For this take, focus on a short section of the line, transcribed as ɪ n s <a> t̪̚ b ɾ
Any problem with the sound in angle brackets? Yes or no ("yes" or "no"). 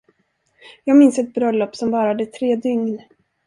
yes